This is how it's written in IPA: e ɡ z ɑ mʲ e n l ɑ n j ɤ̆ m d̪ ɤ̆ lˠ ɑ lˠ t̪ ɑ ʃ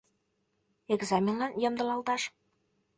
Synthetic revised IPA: e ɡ z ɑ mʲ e n l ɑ n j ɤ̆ m d̪ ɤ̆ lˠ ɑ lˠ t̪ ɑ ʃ